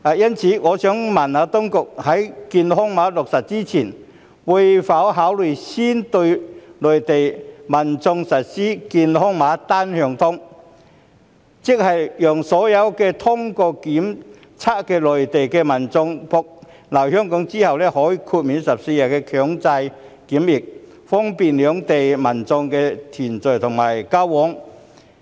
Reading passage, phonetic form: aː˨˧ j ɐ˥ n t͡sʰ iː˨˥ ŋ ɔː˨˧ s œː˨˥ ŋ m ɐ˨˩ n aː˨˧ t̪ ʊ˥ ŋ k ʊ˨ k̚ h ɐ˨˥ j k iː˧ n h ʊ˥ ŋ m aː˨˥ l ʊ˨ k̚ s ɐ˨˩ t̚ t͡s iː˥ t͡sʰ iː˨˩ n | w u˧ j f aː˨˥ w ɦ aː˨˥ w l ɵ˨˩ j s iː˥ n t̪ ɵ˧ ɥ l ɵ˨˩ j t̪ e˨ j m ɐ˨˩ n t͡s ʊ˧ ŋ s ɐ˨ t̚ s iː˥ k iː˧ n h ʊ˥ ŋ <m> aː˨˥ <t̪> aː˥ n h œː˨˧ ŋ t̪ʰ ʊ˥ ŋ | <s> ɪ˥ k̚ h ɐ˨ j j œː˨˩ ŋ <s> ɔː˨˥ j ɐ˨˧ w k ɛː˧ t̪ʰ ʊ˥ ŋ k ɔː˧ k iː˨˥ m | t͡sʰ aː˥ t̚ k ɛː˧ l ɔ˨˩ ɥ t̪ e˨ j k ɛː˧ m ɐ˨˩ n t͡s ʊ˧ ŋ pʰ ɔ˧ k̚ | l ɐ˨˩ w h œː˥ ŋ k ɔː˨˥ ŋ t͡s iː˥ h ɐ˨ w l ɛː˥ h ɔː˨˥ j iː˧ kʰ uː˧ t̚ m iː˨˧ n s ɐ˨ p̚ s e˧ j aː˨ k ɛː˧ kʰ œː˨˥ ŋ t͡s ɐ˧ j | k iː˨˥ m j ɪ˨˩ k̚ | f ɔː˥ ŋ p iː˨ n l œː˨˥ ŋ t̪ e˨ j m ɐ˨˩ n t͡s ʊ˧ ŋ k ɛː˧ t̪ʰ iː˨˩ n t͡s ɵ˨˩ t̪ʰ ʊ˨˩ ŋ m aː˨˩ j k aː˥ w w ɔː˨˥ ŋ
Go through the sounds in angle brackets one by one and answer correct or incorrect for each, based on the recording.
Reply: correct, correct, incorrect, correct

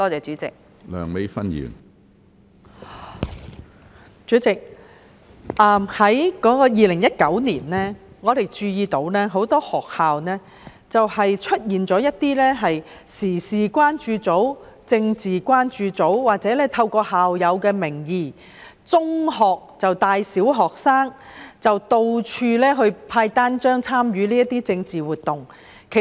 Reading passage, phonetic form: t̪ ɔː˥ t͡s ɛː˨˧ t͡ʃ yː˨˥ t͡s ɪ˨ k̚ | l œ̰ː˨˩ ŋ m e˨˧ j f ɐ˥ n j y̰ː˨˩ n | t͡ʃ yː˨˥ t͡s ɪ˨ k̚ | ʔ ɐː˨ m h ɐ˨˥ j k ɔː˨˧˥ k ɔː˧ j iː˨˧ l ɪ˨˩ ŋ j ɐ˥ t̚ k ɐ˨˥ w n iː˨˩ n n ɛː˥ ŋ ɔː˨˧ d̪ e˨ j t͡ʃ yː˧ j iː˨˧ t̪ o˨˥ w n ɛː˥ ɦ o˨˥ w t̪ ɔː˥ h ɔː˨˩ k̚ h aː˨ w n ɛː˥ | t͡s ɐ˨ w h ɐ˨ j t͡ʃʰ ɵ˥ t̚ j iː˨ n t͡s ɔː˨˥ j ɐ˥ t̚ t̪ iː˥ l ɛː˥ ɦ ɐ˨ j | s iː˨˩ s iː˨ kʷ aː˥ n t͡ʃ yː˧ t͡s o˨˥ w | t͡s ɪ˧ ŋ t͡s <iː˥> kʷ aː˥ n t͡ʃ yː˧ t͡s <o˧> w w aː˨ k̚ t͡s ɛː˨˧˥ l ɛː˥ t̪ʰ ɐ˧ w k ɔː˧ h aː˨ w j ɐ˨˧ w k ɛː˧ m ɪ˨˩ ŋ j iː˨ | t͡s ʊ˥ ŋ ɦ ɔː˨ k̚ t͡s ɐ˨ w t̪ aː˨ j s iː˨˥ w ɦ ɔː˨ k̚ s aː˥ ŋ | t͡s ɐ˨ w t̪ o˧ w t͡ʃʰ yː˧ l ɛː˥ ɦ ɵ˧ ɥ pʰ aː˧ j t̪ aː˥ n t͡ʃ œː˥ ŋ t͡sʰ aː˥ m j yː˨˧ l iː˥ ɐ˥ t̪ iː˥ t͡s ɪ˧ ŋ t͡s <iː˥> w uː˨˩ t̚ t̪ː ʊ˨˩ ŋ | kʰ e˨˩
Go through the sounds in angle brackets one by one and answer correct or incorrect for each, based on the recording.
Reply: incorrect, incorrect, incorrect

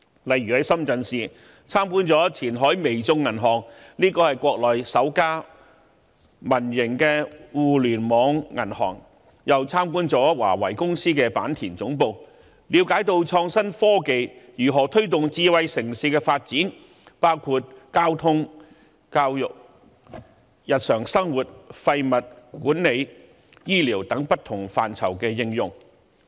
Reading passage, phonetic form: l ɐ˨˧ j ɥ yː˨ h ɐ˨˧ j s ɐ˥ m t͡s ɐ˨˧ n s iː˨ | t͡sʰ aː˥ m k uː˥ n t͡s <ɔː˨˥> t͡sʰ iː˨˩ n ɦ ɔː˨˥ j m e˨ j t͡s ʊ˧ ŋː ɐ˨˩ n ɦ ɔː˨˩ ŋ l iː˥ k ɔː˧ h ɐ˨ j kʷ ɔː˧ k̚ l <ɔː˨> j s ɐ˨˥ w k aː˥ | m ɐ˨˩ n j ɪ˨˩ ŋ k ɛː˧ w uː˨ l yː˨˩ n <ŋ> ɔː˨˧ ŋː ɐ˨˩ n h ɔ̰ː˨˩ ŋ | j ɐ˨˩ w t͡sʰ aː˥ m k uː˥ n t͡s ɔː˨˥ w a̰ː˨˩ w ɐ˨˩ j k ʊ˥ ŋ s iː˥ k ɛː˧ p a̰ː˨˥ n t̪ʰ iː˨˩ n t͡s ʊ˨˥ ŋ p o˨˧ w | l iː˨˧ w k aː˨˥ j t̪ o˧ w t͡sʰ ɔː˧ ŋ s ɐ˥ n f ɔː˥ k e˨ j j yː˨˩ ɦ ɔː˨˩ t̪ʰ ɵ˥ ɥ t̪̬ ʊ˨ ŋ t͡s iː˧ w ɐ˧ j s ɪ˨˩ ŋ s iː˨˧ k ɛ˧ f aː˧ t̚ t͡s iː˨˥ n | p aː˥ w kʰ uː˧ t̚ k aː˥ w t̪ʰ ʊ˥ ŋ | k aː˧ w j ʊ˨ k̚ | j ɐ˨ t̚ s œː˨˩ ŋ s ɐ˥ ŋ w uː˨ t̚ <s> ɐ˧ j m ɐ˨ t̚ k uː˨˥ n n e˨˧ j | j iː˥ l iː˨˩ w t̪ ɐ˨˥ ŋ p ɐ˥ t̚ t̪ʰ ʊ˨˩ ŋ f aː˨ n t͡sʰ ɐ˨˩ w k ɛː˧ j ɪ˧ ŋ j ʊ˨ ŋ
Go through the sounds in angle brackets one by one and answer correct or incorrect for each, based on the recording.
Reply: correct, correct, incorrect, incorrect

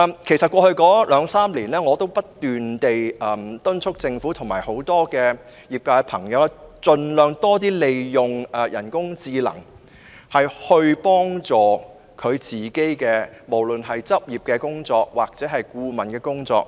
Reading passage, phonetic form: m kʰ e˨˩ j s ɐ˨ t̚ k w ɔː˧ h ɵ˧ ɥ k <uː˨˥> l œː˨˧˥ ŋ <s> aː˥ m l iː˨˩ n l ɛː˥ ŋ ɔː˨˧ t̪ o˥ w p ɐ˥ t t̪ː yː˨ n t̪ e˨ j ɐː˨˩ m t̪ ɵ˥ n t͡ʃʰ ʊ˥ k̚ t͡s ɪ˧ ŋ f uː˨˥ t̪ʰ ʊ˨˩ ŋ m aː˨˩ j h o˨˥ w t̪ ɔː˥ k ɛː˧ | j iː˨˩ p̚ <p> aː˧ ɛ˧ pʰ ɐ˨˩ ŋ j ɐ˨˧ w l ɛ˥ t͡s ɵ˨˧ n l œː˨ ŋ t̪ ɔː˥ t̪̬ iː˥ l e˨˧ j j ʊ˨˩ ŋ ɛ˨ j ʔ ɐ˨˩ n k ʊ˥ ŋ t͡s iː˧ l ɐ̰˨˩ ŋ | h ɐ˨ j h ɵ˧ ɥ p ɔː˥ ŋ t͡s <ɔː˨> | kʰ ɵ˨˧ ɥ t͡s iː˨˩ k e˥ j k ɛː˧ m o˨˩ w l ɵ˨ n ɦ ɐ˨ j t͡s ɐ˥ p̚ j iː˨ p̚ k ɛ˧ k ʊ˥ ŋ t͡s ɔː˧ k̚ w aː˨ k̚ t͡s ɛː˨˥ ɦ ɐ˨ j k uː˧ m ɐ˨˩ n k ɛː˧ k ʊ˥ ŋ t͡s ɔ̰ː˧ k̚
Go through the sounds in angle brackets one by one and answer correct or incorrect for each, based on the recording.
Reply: incorrect, correct, incorrect, correct

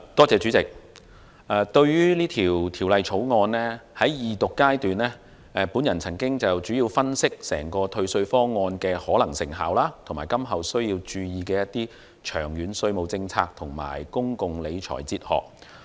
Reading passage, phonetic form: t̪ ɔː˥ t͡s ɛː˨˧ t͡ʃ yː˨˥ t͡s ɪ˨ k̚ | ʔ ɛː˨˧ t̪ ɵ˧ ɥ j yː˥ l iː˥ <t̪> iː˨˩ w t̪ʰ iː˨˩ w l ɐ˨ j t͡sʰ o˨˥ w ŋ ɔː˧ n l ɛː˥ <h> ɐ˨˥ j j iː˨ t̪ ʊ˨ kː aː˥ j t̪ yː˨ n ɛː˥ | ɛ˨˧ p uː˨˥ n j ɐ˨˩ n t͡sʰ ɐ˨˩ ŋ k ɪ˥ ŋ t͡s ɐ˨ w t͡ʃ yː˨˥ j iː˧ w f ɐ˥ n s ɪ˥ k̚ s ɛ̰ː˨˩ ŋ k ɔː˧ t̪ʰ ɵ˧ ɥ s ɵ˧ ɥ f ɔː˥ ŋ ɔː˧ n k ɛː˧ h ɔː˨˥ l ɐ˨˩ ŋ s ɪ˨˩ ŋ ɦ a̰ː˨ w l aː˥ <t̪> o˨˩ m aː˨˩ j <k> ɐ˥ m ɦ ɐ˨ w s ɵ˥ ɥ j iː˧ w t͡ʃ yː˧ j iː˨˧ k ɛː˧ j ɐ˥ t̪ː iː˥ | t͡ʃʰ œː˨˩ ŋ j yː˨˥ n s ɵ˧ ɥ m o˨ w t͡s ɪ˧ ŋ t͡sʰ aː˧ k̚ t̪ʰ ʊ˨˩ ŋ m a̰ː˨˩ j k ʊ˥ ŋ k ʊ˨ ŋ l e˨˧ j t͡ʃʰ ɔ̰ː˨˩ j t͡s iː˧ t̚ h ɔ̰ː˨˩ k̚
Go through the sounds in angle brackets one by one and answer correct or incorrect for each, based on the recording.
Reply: incorrect, correct, incorrect, correct

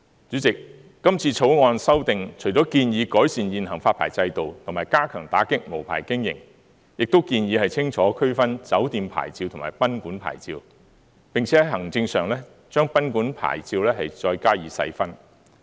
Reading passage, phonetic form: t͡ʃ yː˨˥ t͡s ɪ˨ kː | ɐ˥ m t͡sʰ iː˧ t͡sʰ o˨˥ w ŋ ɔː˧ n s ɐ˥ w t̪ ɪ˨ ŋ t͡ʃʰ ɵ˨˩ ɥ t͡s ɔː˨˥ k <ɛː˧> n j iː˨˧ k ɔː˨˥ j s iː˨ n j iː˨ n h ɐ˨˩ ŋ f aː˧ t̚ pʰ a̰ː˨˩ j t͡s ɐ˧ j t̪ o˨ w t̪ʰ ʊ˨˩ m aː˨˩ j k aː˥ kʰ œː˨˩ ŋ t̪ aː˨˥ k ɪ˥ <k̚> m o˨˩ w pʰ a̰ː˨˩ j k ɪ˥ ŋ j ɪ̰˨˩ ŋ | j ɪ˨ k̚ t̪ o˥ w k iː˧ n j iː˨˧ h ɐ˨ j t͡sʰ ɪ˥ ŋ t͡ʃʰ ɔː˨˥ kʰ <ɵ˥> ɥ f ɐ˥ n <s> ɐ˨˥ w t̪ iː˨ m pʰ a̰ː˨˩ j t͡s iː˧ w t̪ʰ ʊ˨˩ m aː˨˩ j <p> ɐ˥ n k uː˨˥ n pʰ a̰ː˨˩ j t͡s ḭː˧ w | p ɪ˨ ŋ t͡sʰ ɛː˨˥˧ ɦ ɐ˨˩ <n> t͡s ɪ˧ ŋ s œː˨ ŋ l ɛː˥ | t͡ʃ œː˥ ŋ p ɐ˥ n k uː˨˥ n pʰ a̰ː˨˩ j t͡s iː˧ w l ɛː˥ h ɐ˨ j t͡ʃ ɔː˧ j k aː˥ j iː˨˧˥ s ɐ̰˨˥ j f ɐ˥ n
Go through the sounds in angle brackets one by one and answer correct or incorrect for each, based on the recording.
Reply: incorrect, correct, correct, incorrect, correct, incorrect

